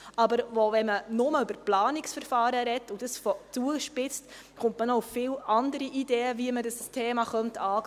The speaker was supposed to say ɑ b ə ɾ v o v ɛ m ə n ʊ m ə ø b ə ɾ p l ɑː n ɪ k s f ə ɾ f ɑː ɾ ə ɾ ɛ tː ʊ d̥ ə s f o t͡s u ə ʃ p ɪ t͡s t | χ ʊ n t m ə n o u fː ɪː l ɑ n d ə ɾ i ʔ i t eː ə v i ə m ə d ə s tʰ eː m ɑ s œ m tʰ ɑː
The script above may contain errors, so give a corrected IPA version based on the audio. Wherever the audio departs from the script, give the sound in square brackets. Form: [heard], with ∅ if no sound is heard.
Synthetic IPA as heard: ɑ b ə ɾ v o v ɛ m ə n ʊ m ə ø b ə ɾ p l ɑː n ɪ k s f ə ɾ f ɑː ɾ ə ɾ ɛ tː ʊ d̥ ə s f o t͡s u ə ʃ p ɪ t͡s t | χ ʊ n t m ə n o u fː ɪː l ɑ n d ə ɾ i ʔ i [d] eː ə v i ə m ə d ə s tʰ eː m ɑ [χ] œ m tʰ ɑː